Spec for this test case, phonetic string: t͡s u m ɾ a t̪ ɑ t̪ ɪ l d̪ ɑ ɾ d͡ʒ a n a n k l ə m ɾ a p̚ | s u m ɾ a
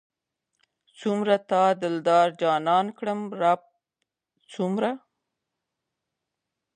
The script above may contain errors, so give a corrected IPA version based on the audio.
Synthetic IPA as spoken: t͡s u m ɾ a t̪ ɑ d̪ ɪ l d̪ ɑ ɾ d͡ʒ ɑ n ɑ n k ɽ ə m ɾ a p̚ | t͡s u m ɾ a